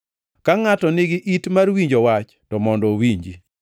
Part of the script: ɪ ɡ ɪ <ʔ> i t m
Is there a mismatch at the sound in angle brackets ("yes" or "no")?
no